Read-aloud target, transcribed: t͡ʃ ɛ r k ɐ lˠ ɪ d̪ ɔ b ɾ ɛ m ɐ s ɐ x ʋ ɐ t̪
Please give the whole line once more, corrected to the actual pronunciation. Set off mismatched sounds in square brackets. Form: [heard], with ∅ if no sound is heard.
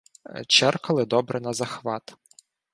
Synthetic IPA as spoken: t͡ʃ ɛ r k ɐ lˠ ɪ d̪ ɔ b ɾ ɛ [n] ɐ [z] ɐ x ʋ [ɑ] t̪

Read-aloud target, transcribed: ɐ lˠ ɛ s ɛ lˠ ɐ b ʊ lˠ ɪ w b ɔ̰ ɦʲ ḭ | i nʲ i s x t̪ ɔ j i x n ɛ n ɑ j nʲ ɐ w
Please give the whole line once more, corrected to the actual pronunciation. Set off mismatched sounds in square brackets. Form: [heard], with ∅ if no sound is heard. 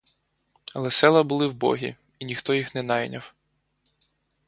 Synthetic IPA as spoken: ɐ lˠ ɛ s ɛ lˠ ɐ b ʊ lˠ ɪ w b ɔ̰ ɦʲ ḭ | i nʲ i [∅] x t̪ ɔ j i x n ɛ n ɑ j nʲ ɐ w

